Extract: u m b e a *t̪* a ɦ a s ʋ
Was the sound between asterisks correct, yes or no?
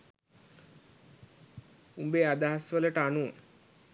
no